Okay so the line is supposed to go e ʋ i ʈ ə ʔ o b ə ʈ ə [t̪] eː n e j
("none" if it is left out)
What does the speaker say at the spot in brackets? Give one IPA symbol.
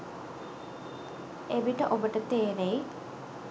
t̪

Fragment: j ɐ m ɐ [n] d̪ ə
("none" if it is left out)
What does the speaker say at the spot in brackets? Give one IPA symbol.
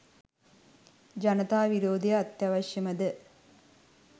none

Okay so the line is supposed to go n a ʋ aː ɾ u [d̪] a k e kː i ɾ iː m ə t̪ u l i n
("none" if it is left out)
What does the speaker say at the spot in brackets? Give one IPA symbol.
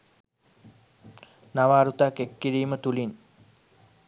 t̪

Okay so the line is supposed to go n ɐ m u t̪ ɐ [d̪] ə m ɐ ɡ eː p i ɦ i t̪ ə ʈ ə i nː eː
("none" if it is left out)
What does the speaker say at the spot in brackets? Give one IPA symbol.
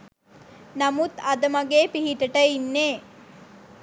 d̪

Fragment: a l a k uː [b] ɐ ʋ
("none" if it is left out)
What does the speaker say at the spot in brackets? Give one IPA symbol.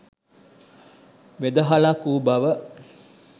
b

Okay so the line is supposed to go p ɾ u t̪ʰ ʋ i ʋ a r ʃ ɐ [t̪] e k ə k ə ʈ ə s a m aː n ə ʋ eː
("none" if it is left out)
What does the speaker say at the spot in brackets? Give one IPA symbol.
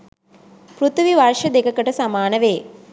d̪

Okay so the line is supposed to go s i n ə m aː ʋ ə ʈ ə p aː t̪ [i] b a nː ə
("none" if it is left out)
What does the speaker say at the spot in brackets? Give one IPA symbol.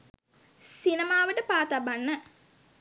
a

